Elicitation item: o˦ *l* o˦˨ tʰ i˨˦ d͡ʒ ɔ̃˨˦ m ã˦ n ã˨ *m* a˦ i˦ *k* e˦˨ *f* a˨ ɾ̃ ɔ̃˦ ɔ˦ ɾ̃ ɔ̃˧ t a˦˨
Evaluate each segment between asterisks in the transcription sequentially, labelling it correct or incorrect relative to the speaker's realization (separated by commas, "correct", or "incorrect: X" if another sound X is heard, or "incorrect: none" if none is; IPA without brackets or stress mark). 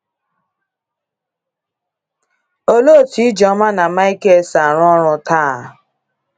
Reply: correct, correct, correct, incorrect: s